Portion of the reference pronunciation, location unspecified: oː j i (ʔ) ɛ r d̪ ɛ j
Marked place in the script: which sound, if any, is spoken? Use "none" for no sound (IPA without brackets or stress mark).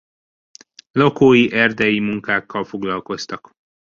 ʔ